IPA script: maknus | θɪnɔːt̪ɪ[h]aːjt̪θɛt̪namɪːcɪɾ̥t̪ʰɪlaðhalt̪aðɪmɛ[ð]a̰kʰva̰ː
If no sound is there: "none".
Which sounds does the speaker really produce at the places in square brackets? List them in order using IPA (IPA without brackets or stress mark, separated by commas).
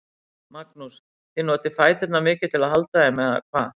f, ð